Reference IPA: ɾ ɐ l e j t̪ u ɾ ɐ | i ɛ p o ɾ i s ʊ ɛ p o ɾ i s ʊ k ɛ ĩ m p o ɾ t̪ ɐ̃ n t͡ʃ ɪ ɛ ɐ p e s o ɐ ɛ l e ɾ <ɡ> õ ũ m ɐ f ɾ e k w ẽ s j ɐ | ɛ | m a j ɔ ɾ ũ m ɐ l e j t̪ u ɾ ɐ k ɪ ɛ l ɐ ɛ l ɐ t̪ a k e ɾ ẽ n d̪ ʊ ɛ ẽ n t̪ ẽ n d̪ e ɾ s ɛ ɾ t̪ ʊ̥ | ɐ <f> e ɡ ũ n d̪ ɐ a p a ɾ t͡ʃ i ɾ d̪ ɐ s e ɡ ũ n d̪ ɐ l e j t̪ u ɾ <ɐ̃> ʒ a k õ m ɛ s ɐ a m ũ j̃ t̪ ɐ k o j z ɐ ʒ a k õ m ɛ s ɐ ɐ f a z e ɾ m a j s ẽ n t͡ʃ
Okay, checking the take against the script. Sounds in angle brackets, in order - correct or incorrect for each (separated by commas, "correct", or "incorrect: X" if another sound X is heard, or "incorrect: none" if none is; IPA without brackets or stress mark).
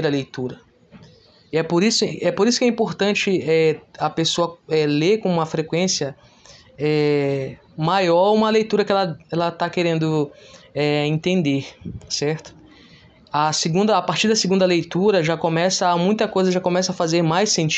incorrect: k, incorrect: s, incorrect: ɐ